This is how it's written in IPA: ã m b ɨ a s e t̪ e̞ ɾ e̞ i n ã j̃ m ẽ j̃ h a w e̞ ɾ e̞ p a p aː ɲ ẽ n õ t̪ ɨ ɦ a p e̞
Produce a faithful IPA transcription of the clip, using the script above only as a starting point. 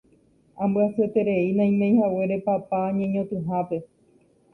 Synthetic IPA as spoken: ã m b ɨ a s e t̪ e̞ ɾ e̞ i n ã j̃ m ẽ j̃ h a w e̞ ɾ e̞ p a p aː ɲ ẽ ɲ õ t̪ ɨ ɦ a p e̞